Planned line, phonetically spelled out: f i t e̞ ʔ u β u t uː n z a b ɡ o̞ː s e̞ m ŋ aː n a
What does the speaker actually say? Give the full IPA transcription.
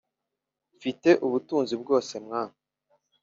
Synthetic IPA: f i t e̞ ʔ u β u t uː n z i b ɡ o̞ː s e̞ m ŋ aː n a